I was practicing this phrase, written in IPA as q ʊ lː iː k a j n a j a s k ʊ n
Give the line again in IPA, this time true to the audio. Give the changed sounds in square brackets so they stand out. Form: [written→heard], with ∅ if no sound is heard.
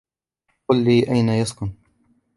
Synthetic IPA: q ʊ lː iː [k→ʔ] a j n a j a s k ʊ n